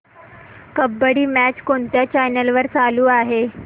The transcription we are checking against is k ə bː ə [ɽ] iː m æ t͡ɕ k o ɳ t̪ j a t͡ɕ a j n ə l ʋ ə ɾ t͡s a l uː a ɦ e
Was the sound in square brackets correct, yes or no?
yes